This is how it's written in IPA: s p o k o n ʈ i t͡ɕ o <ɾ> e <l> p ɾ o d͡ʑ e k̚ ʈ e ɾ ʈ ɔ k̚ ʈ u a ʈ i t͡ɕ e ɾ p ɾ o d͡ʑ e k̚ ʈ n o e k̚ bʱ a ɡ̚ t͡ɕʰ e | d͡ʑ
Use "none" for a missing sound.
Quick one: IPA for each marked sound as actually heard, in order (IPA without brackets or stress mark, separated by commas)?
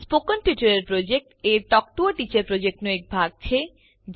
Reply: ɾ, ɾ